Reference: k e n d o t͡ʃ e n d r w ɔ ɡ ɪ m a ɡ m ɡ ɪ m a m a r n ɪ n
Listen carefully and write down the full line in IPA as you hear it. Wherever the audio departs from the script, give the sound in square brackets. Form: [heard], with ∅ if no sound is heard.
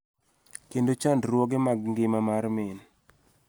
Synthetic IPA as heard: k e n d o t͡ʃ [a] n d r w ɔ ɡ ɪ m a ɡ [ŋ] ɡ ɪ m a m a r [m] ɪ n